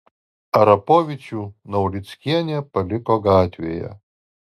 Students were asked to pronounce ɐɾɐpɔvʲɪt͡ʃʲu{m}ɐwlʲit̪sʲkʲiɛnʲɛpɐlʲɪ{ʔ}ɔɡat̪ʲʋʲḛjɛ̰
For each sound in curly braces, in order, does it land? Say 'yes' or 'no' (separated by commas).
no, no